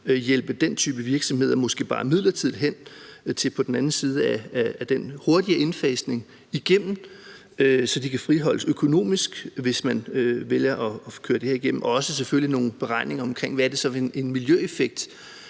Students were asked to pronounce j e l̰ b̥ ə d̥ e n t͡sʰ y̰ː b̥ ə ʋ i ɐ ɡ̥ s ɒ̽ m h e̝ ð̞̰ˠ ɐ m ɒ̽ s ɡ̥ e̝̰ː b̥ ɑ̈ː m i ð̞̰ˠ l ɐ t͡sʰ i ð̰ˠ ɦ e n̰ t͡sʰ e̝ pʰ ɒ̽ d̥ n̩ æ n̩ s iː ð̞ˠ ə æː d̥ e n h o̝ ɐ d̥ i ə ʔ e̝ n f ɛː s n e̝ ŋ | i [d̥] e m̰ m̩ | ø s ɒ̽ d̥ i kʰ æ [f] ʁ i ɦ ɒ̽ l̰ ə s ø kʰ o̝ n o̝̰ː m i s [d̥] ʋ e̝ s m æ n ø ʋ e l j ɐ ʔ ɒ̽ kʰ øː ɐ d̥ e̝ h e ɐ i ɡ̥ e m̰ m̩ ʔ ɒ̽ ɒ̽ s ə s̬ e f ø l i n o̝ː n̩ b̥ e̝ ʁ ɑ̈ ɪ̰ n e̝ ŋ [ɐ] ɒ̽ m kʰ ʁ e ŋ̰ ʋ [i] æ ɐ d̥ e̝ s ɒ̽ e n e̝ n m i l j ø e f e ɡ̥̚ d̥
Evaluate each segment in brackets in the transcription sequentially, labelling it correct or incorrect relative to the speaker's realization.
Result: incorrect, correct, incorrect, correct, incorrect

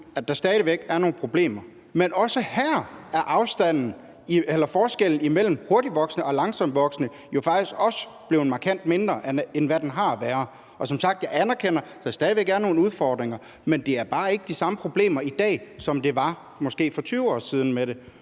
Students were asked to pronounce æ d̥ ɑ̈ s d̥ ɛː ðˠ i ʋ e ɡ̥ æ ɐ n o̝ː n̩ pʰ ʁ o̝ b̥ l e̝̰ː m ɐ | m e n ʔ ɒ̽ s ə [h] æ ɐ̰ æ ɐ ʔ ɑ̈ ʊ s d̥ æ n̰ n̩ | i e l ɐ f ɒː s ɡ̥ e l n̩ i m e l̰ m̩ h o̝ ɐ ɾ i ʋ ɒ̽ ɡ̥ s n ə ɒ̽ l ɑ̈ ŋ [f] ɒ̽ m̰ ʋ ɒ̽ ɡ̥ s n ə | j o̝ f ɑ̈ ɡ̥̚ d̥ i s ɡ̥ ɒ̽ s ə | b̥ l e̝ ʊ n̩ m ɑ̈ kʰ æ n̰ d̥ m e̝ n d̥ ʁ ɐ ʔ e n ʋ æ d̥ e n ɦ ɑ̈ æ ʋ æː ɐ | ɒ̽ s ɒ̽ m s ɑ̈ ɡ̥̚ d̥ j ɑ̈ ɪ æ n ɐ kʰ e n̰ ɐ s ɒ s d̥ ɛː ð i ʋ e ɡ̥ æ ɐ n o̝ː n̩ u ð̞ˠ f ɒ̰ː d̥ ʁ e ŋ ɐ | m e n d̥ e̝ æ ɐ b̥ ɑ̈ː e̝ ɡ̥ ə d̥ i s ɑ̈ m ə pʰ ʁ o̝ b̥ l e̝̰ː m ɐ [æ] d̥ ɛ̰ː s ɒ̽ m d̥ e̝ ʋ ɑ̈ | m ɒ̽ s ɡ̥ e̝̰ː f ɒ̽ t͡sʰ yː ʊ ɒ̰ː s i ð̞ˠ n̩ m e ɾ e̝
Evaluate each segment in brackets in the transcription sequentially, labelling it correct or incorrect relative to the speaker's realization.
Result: correct, incorrect, incorrect

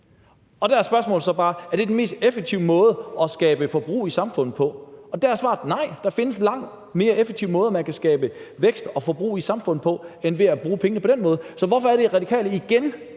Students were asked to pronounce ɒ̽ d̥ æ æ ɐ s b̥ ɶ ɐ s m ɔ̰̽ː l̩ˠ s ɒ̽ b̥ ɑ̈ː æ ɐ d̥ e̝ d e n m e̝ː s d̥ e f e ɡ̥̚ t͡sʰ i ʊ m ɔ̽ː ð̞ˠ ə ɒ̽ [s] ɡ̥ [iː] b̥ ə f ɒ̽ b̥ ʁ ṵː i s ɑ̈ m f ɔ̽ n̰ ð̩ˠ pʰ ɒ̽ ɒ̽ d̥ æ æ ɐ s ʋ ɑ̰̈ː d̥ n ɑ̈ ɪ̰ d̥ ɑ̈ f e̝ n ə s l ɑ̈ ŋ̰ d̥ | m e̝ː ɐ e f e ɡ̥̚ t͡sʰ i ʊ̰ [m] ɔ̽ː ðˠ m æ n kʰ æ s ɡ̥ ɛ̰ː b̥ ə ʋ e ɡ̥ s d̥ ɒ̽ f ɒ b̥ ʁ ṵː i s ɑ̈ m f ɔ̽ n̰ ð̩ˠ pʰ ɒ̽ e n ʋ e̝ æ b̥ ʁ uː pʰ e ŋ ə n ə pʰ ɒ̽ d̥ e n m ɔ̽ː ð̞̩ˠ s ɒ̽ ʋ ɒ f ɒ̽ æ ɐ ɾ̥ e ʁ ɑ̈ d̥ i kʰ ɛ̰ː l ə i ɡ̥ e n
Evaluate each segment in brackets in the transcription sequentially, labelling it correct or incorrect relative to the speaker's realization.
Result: correct, incorrect, correct

